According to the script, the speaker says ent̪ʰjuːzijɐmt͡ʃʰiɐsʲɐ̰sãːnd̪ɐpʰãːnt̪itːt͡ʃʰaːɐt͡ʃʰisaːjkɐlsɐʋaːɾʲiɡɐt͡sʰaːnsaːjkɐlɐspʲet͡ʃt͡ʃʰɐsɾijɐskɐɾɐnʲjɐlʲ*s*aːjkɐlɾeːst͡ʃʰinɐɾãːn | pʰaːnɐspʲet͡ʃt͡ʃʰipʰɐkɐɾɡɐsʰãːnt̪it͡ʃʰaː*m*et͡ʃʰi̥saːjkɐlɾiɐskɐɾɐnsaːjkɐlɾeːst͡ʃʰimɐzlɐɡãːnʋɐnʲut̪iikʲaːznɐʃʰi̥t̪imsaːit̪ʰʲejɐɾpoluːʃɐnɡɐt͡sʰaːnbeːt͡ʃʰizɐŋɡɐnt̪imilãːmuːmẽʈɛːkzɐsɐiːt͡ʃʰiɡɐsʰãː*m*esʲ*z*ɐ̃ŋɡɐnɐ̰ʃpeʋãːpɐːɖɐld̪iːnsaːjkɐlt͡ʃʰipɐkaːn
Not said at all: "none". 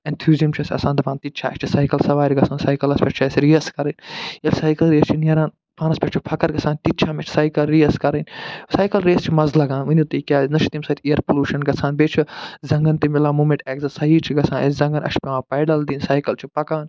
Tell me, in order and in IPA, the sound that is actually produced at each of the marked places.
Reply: s, m, n, z

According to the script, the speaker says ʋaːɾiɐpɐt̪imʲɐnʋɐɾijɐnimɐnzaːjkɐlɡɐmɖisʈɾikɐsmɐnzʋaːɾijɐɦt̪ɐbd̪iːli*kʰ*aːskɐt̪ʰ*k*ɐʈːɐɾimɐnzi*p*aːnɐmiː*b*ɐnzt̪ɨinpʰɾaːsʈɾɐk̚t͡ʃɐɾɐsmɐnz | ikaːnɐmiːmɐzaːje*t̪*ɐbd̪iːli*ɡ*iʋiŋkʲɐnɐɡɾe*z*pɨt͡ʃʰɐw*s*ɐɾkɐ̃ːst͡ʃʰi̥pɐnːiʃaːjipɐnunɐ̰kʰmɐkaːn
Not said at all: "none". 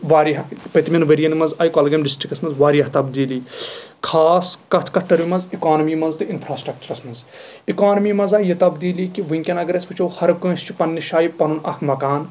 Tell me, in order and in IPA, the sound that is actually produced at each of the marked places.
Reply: kʰ, k, k, m, t̪, k, s, h

